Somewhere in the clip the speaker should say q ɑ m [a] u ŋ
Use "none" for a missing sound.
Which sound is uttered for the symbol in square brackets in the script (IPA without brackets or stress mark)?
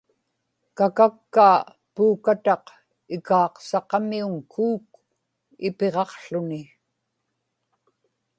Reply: i